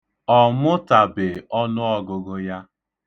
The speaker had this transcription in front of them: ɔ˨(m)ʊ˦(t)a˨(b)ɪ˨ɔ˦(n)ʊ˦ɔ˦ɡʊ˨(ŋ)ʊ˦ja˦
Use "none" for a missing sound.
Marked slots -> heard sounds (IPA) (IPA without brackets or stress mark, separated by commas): m, t, b, n, ɡ